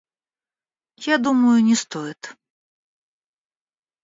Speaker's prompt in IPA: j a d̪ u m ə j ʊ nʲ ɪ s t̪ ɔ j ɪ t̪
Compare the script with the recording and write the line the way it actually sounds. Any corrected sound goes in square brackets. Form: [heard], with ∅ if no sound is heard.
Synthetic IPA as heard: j a d̪ u m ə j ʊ nʲ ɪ s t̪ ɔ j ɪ t̪